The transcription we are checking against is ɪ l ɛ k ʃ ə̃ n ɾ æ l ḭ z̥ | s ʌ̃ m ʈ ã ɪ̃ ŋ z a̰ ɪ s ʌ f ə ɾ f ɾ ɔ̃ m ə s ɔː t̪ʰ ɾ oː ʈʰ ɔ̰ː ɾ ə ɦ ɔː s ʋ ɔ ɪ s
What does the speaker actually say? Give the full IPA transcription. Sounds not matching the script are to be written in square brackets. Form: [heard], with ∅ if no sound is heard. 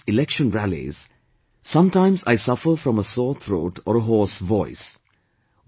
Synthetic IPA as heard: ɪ l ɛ k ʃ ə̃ n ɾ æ l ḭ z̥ | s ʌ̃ m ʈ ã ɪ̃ [m] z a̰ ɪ s ʌ f ə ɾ f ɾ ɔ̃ m ə s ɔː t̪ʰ ɾ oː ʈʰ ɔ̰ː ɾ ə ɦ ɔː s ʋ ɔ ɪ s

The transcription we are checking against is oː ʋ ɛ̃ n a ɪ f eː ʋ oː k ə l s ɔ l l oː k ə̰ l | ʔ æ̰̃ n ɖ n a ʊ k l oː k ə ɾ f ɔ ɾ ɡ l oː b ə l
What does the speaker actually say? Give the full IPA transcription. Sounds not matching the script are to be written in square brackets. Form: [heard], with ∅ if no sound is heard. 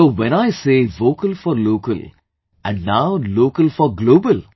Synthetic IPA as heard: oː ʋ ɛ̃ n a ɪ [s] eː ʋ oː k ə l [f] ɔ [ɾ] l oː k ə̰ l | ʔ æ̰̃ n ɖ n a ʊ [∅] l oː k ə [l] f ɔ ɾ ɡ l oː b ə l

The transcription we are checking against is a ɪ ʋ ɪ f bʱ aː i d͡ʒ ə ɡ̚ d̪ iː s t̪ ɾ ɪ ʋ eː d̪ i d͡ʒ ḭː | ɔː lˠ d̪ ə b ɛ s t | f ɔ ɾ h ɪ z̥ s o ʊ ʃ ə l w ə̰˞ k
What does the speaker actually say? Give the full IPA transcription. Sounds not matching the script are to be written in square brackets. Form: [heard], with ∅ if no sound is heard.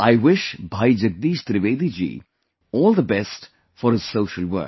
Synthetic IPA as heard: a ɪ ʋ ɪ [ʃ] bʱ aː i d͡ʒ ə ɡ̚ d̪ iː [ʃ] t̪ ɾ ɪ ʋ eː d̪ i d͡ʒ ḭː | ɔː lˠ d̪ ə b ɛ s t | f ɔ ɾ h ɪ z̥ s o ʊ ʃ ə l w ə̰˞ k

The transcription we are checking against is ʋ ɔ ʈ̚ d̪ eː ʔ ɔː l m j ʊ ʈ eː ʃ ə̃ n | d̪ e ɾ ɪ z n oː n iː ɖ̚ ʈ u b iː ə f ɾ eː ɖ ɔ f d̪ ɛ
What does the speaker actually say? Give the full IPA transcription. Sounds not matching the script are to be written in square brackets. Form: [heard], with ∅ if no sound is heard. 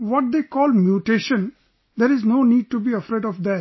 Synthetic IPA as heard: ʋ ɔ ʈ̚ d̪ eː [k] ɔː l m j [u] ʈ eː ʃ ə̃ n | d̪ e ɾ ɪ z n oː n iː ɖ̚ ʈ u b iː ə f ɾ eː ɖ ɔ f d̪ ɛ

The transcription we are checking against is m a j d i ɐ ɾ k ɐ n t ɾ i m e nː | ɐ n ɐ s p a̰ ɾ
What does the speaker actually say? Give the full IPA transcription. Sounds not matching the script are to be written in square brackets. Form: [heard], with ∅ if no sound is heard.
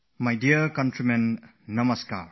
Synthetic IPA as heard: m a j d i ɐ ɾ k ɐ n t ɾ i m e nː | ɐ [m] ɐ s [k] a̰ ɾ

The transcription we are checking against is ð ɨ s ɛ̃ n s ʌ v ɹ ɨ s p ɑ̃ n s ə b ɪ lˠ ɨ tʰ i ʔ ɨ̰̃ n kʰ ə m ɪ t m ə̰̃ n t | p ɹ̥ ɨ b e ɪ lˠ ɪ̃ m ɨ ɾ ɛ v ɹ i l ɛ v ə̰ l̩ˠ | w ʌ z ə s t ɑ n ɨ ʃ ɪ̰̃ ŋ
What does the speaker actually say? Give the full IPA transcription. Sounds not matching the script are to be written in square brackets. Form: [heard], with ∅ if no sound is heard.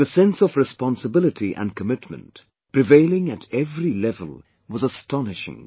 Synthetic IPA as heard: ð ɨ s ɛ̃ n s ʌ v ɹ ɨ s p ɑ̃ n s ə b ɪ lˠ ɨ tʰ i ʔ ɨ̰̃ n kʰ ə m ɪ t m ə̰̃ n t | p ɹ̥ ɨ [v] e ɪ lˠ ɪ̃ [ŋ] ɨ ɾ ɛ v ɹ i l ɛ v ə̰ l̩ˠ | w ʌ z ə s t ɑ n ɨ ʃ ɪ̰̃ ŋ

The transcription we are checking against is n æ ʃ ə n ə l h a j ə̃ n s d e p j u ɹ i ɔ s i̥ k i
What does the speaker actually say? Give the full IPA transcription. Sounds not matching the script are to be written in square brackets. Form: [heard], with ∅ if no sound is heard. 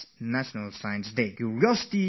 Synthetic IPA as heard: n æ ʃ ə n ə l [s] a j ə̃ n s d e [k] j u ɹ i ɔ s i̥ [t] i

